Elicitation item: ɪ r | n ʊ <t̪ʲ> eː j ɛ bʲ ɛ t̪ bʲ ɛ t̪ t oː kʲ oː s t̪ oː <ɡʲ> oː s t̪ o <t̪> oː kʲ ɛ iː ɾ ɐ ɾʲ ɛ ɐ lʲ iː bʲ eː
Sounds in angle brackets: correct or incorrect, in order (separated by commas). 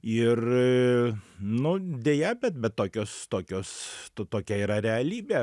incorrect, incorrect, correct